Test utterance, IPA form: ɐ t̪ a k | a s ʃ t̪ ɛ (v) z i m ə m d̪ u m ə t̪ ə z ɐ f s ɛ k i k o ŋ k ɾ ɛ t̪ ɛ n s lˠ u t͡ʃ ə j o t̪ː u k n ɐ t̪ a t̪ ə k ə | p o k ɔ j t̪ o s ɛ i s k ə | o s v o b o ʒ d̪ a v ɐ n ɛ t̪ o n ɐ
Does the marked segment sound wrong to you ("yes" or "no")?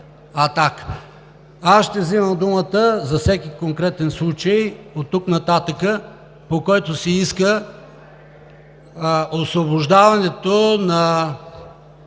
no